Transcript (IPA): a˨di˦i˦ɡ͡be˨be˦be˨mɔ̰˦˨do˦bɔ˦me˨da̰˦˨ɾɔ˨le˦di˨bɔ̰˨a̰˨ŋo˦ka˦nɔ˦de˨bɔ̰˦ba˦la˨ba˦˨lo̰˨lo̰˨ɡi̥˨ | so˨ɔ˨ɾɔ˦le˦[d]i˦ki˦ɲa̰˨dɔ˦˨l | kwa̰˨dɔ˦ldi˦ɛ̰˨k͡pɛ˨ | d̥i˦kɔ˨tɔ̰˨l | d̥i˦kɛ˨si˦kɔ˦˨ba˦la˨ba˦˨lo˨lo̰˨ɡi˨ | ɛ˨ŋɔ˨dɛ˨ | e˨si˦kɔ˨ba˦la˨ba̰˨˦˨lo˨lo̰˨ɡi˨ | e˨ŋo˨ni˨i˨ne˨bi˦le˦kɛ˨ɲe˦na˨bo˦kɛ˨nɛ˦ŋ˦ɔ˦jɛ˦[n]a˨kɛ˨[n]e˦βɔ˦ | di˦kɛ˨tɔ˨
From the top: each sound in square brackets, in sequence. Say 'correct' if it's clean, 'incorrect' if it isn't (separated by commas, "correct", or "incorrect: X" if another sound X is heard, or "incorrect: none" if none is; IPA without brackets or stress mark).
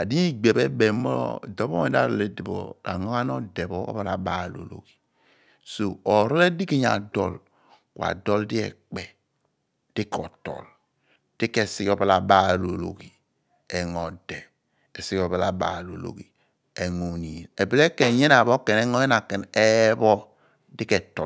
correct, correct, correct